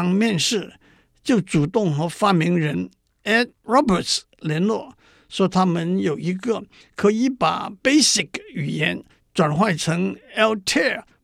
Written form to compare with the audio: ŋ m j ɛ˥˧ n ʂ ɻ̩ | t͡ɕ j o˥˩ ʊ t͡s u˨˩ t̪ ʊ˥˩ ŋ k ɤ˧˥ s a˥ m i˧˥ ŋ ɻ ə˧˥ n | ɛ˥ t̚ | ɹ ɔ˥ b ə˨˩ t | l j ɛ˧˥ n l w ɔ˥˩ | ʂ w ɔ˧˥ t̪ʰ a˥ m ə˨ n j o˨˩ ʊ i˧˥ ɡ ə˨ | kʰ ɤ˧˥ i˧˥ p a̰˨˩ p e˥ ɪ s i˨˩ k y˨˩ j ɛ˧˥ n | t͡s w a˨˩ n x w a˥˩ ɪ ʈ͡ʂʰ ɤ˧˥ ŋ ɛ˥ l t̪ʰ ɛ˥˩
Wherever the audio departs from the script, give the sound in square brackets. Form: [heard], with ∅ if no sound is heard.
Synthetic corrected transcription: ŋ m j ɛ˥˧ n ʂ ɻ̩ | t͡ɕ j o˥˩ ʊ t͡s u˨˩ t̪ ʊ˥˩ ŋ [x] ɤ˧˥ [f] a˥ m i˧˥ ŋ ɻ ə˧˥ n | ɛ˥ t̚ | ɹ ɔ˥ b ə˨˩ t | l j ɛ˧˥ n l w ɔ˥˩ | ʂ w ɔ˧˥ t̪ʰ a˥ m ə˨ n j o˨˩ ʊ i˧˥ ɡ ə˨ | kʰ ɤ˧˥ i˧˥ p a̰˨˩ p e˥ ɪ s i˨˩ k y˨˩ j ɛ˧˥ n | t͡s w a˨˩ n x w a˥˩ ɪ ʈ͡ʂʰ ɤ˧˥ ŋ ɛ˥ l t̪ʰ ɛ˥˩